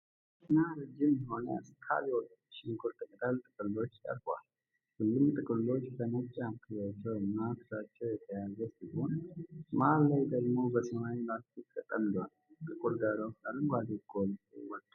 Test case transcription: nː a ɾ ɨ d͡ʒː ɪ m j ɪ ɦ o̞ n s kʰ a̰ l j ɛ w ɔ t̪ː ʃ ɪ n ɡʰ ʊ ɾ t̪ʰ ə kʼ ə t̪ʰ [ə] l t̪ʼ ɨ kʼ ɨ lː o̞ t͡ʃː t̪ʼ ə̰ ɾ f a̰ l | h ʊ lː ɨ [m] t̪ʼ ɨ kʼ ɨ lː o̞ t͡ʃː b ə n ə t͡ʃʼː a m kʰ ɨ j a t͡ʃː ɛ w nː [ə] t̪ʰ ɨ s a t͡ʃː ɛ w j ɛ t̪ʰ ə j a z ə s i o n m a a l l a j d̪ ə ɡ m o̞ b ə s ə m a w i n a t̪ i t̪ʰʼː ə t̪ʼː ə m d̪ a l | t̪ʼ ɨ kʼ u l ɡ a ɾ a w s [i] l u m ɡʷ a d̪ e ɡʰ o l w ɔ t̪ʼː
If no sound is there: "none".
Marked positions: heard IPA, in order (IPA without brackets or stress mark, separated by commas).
a, m, a, a